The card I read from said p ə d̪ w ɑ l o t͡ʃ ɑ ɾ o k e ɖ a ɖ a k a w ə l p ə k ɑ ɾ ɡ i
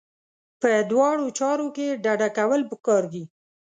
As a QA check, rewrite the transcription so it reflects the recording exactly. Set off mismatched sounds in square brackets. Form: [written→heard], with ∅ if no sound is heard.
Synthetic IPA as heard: p ə d̪ w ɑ [l→ɽ] o t͡ʃ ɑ ɾ o k e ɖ a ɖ a k a w ə l p ə k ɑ ɾ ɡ i